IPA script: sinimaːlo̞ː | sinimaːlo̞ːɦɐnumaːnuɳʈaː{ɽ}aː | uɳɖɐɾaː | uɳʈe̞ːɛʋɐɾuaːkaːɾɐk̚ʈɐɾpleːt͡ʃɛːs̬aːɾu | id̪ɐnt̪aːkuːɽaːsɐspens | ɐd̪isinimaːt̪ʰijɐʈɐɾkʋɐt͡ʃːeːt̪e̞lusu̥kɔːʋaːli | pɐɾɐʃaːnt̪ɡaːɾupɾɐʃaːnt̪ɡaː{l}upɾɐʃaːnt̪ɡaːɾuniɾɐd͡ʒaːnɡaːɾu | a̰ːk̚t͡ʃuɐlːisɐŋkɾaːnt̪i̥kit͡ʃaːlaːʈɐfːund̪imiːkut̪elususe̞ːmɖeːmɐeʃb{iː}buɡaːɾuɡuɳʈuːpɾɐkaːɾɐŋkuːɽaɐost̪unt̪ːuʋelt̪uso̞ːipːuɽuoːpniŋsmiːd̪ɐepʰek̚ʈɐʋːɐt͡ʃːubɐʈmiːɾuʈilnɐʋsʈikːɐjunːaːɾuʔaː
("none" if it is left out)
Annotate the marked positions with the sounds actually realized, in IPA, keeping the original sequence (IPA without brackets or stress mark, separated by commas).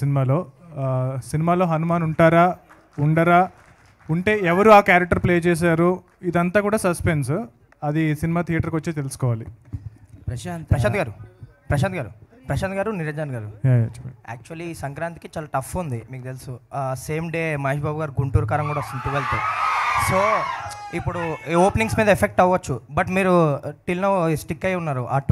ɾ, ɾ, aː